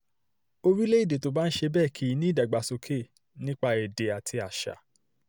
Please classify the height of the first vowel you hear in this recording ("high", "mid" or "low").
mid